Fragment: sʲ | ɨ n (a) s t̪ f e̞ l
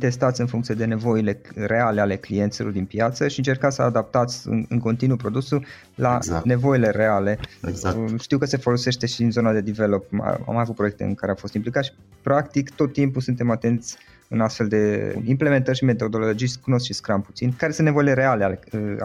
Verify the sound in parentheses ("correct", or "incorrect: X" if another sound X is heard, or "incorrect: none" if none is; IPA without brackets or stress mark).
correct